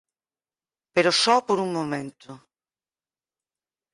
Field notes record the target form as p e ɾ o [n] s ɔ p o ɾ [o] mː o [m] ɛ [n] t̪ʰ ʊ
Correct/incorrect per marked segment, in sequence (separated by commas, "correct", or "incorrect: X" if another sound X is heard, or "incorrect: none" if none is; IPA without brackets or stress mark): incorrect: none, incorrect: u, correct, correct